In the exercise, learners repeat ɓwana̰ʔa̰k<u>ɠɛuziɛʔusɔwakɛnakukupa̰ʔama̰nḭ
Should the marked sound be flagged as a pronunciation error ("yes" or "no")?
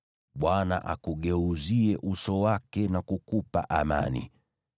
no